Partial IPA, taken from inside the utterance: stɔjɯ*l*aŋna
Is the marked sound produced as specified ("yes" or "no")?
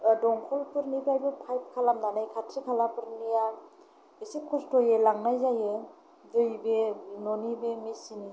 yes